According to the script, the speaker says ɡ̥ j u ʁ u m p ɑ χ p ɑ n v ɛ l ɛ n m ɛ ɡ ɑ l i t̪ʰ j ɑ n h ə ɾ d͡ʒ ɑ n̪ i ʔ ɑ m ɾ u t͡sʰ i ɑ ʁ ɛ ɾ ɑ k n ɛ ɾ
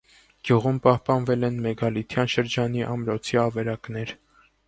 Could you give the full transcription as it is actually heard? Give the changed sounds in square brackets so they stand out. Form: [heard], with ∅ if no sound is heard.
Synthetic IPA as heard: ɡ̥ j u ʁ u m p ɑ [h] p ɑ n v ɛ l ɛ n m ɛ ɡ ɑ l i t̪ʰ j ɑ n [ʃ] ə ɾ d͡ʒ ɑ n̪ i ʔ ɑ m ɾ [ɔ] t͡sʰ i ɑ [v] ɛ ɾ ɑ k n ɛ ɾ